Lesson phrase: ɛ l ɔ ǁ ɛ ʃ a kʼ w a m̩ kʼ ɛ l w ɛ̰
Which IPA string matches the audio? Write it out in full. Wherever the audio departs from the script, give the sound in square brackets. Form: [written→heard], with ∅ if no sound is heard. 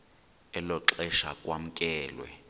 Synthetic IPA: ɛ l ɔ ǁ ɛ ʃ a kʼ w a m̩ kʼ [ɛ→ɛː] l w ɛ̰